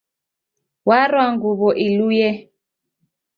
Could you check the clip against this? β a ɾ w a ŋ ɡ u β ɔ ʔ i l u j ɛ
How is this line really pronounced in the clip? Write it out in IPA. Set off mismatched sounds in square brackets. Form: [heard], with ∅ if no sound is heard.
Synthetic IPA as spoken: [w] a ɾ w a ŋ ɡ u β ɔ ʔ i l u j ɛ